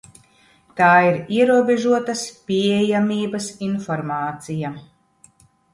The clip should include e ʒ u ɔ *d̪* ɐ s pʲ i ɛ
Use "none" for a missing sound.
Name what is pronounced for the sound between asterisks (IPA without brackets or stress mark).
t̪